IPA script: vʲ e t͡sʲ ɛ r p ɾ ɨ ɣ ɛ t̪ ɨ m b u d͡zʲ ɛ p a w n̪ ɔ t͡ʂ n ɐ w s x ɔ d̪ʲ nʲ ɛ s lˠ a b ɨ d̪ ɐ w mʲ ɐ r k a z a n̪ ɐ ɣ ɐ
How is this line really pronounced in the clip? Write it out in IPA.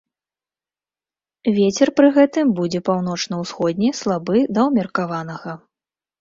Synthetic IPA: vʲ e t͡sʲ ɛ r p ɾ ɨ ɣ ɛ t̪ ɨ m b u d͡zʲ ɛ p a w n̪ ɔ t͡ʂ n ɐ w s x ɔ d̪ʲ nʲ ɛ s lˠ a b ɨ d̪ ɐ w mʲ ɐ r k a v a n̪ ɐ ɣ ɐ